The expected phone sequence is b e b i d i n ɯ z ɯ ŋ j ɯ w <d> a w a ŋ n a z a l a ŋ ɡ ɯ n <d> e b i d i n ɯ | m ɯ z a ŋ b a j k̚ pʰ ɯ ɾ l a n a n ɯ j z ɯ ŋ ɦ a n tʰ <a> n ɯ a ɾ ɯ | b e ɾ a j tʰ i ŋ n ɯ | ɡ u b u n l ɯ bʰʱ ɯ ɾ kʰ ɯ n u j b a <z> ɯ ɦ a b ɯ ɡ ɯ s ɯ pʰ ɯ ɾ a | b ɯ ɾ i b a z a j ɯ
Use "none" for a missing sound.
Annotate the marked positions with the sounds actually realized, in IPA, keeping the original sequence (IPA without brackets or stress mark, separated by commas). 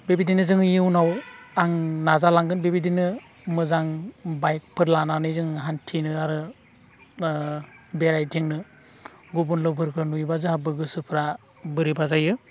n, b, i, z